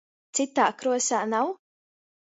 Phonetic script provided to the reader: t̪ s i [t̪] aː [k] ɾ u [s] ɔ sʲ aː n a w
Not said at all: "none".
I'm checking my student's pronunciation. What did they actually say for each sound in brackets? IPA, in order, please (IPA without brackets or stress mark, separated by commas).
t̪, k, none